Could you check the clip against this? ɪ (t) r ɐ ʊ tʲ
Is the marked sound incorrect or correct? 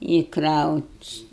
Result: incorrect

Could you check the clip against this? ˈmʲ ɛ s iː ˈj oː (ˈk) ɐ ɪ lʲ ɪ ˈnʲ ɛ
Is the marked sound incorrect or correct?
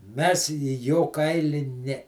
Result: correct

